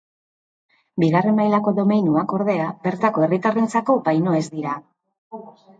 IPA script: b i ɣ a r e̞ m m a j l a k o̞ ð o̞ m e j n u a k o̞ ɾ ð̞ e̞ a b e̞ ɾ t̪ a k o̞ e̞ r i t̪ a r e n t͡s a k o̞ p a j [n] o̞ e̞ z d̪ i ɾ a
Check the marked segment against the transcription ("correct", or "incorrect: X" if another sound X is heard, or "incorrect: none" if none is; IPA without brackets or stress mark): correct